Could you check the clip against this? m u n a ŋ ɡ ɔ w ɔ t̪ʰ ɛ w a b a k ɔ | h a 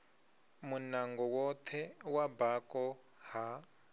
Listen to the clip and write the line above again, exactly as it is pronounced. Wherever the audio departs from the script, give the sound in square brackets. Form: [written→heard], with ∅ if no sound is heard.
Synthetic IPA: m u n a ŋ ɡ ɔ w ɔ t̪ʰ ɛ w a b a k ɔ | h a